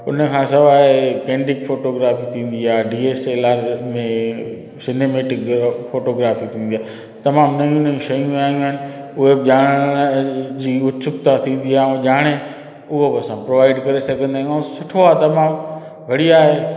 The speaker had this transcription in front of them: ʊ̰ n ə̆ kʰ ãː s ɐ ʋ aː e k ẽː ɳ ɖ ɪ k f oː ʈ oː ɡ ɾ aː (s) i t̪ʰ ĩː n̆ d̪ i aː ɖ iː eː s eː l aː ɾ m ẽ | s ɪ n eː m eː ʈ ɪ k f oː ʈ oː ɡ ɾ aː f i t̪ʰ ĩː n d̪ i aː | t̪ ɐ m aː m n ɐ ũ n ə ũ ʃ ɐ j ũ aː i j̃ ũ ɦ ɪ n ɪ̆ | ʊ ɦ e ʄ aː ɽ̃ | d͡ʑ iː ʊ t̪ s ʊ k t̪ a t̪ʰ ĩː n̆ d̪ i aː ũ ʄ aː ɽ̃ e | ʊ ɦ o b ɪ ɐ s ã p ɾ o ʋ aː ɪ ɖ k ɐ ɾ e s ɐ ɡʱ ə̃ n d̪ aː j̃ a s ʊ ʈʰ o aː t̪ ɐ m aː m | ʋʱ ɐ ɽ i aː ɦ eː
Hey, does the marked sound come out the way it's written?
no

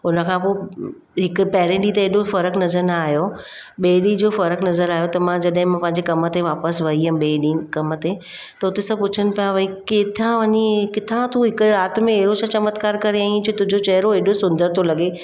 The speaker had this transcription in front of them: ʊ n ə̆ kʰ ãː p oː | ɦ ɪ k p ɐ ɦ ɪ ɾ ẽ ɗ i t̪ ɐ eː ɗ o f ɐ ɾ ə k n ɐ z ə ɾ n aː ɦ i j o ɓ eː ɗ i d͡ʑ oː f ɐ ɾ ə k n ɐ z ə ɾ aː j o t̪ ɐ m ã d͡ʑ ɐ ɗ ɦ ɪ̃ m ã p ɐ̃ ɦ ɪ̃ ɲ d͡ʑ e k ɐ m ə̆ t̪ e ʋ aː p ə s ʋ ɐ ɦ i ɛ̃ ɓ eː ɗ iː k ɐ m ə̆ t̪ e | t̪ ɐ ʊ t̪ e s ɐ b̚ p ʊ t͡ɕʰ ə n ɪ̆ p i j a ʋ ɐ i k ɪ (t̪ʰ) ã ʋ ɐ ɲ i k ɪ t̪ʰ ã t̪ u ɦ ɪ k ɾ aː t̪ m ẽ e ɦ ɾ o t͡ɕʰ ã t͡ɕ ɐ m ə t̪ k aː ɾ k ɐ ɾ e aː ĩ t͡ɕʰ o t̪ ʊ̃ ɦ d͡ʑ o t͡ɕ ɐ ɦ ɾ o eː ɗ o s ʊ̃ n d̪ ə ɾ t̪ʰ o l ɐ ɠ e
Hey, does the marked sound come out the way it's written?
yes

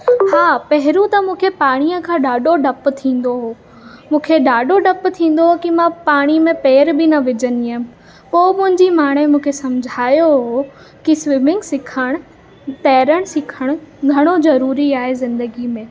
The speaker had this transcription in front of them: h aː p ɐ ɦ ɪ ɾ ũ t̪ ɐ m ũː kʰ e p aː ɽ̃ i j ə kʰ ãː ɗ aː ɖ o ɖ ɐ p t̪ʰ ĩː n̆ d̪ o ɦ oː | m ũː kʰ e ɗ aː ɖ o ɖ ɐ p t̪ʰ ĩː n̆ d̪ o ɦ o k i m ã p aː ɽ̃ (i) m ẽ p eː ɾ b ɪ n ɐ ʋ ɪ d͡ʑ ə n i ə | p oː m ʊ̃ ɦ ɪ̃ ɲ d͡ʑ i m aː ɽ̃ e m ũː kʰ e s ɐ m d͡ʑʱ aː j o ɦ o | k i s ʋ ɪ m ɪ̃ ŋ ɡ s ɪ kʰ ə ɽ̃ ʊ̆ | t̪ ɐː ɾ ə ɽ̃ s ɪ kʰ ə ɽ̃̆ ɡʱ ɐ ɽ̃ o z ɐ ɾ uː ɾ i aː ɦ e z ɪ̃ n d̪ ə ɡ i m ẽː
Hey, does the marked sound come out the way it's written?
yes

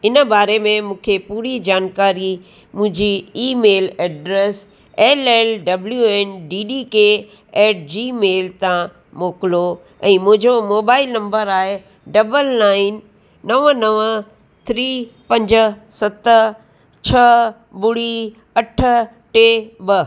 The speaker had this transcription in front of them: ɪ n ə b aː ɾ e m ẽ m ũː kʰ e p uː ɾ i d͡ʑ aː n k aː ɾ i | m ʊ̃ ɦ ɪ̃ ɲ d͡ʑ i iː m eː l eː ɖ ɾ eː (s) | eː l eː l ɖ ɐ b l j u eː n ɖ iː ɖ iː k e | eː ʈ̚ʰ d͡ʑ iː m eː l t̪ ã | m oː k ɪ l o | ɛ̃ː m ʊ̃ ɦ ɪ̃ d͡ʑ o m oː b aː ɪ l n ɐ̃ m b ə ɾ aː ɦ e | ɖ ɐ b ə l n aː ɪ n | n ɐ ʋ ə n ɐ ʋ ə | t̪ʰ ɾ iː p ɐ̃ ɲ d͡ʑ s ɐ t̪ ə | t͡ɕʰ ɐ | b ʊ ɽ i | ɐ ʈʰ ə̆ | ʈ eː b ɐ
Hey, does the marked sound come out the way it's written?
yes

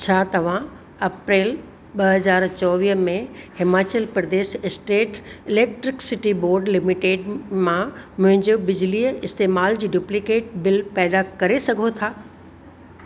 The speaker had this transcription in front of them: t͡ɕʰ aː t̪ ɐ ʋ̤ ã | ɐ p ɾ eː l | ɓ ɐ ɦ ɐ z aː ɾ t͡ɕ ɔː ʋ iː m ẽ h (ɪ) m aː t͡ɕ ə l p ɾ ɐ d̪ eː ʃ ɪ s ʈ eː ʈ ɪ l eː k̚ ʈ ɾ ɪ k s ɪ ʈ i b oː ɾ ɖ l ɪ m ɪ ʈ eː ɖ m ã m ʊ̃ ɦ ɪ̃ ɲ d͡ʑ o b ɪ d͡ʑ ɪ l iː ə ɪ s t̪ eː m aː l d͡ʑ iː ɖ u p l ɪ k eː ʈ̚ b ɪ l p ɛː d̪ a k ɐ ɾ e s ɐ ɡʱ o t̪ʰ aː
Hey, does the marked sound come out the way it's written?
yes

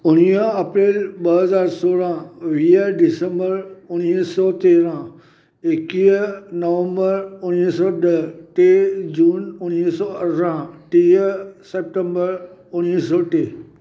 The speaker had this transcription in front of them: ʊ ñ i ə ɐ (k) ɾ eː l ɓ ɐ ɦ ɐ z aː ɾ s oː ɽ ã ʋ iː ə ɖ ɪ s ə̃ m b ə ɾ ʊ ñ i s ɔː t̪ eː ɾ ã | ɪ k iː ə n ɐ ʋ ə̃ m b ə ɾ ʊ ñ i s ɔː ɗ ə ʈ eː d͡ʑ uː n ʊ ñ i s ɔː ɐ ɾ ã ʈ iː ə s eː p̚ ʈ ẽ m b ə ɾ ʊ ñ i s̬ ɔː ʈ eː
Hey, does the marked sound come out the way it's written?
no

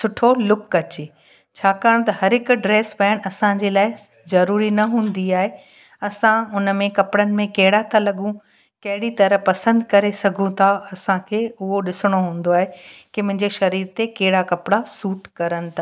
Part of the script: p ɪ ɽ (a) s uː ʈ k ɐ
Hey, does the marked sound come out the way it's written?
yes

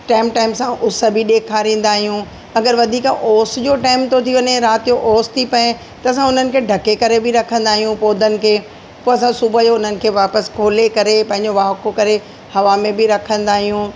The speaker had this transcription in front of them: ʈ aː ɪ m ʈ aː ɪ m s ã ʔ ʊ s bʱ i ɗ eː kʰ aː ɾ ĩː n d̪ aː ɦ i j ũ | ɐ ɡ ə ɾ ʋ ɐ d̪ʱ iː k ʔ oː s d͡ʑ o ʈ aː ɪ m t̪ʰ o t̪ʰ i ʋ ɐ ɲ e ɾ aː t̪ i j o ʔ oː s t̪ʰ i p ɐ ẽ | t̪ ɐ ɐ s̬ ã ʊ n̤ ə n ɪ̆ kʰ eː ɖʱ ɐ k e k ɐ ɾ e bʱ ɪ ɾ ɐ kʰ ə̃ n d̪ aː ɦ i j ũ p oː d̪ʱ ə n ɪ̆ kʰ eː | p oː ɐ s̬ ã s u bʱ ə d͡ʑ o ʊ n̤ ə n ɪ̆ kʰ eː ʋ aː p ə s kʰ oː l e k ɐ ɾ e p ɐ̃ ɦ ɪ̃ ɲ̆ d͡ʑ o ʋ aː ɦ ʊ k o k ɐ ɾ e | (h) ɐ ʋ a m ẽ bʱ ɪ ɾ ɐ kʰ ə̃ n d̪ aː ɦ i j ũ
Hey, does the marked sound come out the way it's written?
yes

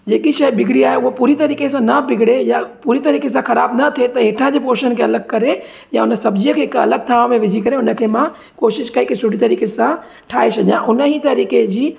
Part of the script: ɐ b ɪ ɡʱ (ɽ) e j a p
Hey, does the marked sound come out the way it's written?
yes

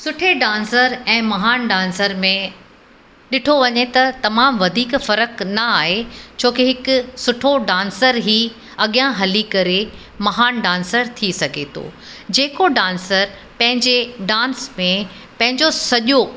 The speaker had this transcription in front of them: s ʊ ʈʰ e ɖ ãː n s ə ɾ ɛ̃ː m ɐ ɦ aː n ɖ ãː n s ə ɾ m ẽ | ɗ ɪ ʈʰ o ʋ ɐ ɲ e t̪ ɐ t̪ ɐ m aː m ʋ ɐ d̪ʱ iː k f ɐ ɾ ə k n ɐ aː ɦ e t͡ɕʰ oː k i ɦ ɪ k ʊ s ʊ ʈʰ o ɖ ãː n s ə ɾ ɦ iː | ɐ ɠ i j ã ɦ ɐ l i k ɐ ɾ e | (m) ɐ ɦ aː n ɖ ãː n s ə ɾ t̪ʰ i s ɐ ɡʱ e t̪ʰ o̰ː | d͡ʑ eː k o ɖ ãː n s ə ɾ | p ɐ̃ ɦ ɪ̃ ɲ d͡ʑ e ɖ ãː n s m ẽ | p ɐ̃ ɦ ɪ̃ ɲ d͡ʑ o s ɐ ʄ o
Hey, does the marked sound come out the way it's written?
yes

